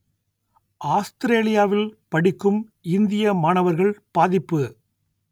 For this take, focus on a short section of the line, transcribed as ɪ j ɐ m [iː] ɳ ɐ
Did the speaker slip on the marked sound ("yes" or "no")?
yes